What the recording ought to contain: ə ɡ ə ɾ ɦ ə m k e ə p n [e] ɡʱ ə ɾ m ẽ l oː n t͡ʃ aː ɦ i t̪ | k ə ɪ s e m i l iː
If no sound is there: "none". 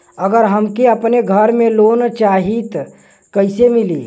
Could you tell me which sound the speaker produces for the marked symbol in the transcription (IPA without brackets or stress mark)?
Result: e